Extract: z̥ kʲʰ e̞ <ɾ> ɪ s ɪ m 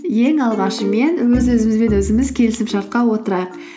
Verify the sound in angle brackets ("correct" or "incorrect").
incorrect